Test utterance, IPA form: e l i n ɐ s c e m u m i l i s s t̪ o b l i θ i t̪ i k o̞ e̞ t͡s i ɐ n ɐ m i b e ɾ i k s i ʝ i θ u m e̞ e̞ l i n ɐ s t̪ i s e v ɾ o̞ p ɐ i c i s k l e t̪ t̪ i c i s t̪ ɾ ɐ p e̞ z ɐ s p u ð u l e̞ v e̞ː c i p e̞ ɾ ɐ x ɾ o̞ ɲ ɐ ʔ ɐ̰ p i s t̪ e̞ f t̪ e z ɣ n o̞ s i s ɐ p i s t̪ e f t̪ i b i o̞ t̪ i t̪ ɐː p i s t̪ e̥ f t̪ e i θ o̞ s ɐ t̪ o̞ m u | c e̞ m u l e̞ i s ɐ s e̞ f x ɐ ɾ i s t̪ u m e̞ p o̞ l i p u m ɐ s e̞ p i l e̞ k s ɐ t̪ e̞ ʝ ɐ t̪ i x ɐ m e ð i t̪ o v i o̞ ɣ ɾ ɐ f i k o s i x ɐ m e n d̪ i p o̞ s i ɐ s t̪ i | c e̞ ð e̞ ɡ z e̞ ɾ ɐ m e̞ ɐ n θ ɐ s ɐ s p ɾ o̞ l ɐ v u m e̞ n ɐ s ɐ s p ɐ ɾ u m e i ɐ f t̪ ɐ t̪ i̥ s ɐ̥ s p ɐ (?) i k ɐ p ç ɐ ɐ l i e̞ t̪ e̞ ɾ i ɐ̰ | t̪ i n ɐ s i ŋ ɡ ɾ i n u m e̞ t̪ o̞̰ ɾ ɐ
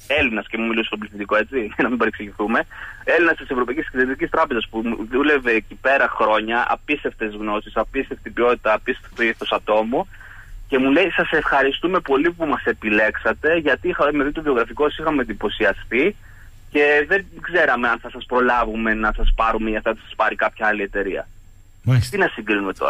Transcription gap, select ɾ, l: ɾ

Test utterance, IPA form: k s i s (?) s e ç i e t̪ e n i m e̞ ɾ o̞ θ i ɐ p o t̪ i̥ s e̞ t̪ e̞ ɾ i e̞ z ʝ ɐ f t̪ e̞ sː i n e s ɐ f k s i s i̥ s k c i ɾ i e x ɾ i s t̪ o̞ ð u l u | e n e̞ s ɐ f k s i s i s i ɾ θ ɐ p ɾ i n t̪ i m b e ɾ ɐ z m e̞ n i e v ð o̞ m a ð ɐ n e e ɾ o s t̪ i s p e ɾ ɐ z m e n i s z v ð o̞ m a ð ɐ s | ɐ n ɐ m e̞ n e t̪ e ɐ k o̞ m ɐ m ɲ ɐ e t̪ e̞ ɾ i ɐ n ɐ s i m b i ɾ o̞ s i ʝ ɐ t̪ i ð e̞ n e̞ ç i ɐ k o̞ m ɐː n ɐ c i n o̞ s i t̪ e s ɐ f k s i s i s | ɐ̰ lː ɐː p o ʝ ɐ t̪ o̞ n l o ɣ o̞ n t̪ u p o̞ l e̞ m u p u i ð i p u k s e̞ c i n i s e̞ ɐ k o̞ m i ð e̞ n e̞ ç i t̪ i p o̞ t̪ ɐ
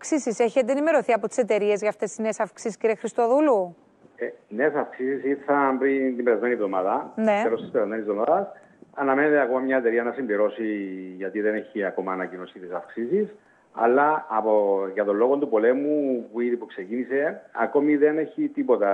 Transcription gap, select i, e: i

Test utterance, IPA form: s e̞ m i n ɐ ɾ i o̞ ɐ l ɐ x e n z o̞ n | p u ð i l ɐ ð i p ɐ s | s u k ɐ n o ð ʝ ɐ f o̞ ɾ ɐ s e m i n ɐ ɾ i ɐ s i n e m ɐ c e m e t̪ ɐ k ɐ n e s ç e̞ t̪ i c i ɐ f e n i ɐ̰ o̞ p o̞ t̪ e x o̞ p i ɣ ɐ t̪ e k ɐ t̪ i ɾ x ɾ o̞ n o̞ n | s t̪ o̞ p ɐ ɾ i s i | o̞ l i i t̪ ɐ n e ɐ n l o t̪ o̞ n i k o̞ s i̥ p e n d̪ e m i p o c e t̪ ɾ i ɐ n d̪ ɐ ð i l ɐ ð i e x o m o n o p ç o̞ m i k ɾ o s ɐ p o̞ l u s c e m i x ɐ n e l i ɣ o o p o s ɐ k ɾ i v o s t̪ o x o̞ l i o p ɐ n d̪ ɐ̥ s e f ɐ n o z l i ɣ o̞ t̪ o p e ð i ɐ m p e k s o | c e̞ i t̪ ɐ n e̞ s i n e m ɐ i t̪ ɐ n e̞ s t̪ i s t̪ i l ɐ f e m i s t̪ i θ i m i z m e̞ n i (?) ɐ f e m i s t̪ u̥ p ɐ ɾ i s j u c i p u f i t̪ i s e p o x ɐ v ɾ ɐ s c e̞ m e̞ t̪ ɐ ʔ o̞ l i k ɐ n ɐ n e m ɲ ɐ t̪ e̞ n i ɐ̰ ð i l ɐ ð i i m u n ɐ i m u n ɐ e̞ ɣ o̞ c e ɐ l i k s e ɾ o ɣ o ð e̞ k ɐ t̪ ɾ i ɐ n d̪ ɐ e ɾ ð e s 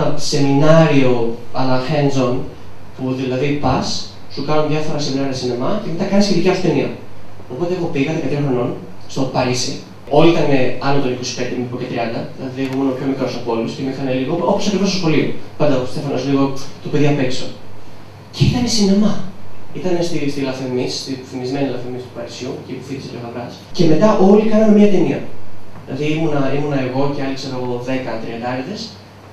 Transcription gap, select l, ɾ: l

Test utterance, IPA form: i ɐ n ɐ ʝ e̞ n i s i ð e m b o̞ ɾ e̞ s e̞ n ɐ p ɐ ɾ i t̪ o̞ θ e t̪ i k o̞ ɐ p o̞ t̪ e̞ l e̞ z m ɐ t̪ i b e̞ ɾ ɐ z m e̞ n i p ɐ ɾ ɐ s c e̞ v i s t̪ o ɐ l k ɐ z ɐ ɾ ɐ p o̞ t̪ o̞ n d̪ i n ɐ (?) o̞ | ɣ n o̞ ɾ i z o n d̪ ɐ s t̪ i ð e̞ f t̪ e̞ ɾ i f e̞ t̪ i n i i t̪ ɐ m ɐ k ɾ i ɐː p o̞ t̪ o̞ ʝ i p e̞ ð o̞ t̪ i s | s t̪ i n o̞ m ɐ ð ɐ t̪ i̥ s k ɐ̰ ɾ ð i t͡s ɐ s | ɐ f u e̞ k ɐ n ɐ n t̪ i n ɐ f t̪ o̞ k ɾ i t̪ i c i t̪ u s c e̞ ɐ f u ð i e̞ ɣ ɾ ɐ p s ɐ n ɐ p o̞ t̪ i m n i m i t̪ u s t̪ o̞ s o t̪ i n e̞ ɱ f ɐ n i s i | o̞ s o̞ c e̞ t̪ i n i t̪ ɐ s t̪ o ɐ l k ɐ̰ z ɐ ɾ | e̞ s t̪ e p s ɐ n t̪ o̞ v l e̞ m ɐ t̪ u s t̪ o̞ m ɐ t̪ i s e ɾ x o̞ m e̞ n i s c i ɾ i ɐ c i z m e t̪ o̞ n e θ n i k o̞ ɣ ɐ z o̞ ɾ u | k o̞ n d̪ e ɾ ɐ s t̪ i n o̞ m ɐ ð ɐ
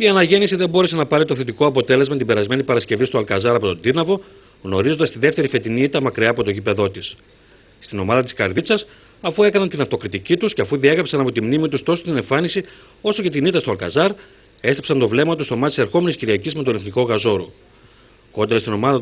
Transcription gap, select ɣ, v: v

